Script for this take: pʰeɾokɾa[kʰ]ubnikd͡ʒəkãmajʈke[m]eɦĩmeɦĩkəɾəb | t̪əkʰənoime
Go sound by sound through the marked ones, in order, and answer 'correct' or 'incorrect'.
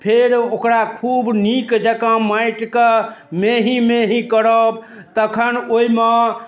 correct, correct

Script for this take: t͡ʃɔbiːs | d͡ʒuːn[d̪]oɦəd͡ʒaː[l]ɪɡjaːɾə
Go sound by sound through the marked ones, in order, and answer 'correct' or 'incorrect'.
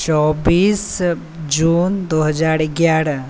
correct, incorrect

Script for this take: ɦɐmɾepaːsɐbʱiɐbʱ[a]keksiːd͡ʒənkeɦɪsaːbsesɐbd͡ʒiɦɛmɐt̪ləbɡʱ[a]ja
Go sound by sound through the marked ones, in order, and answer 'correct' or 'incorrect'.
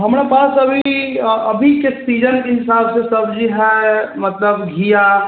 incorrect, incorrect

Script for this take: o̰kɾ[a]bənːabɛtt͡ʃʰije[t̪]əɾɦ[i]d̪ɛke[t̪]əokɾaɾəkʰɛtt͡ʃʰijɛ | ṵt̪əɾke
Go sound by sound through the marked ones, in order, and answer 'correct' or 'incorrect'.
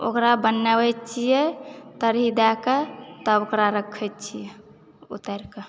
correct, correct, correct, correct

